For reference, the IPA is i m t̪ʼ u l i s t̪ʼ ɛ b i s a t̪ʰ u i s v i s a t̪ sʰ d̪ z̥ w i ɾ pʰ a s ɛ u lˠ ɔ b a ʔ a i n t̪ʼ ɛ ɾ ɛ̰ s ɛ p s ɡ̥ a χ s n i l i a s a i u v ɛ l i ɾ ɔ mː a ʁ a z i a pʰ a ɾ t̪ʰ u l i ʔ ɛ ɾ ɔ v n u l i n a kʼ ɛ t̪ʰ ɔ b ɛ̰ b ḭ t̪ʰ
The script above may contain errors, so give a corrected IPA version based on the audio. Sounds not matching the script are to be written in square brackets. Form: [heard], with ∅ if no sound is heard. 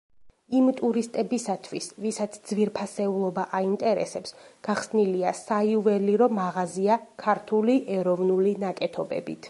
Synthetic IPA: i m t̪ʼ u [ɾ] i s t̪ʼ ɛ b i s a t̪ʰ [w] i s v i s a t̪ sʰ d̪ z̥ [v] i ɾ pʰ a s ɛ u lˠ ɔ b a ʔ a i n t̪ʼ ɛ ɾ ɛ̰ s ɛ p s ɡ̥ a χ s n i l i a s a i u v ɛ l i ɾ ɔ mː a ʁ a z i a [kʰ] a ɾ t̪ʰ u l i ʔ ɛ ɾ ɔ v n u l i n a kʼ ɛ t̪ʰ ɔ b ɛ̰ b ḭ t̪ʰ